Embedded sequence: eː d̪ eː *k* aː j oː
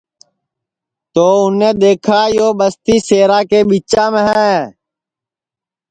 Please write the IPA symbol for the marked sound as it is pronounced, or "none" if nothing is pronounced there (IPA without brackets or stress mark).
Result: kʰ